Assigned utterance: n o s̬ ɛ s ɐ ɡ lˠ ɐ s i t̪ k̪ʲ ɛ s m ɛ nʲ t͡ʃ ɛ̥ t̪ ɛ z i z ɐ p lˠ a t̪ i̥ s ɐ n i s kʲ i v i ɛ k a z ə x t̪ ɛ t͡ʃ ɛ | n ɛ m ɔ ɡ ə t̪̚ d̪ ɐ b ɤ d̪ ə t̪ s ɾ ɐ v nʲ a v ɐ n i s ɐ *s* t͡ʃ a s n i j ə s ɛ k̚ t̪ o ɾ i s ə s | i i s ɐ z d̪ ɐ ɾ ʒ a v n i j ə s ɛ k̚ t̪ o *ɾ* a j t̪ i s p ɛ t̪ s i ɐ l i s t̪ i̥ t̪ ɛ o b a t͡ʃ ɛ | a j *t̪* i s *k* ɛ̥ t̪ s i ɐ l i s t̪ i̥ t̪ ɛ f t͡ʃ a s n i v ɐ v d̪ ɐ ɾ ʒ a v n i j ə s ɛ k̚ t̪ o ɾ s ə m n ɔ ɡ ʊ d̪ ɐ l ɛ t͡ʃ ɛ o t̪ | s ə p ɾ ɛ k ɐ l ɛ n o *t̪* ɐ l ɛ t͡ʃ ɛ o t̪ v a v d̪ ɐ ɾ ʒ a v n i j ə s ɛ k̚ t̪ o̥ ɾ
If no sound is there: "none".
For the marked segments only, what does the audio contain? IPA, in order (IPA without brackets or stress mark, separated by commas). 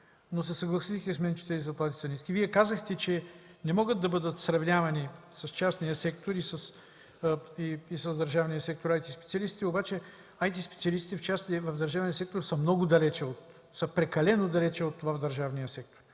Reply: s, ɾ, t̪, p, d̪